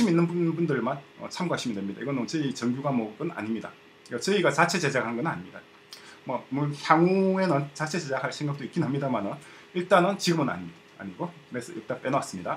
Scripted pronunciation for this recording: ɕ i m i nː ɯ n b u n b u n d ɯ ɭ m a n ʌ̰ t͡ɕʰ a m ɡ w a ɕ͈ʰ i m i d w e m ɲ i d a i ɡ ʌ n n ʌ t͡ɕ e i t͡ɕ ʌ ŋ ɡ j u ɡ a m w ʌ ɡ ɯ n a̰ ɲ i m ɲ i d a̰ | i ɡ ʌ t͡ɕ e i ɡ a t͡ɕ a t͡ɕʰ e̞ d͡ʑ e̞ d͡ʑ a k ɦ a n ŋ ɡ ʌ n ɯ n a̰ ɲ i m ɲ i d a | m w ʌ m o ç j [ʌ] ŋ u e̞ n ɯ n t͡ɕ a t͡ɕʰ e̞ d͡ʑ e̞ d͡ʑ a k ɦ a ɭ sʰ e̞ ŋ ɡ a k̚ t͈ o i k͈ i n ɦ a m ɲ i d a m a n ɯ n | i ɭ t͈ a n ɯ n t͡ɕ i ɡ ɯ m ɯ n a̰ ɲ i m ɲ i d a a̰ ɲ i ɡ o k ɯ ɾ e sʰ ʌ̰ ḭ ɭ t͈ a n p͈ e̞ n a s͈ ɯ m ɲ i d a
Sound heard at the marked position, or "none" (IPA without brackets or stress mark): a